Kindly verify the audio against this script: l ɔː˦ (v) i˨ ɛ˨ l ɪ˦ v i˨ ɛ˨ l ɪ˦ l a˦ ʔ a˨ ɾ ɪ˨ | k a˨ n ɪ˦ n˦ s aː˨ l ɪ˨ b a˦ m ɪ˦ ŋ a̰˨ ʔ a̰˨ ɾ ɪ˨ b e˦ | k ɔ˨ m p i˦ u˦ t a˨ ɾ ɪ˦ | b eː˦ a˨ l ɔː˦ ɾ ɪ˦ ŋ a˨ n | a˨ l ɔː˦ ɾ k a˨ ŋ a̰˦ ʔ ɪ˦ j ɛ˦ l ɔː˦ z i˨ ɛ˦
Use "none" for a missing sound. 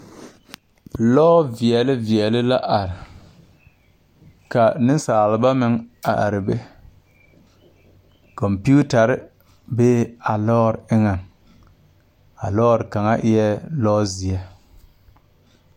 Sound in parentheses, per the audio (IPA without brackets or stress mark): v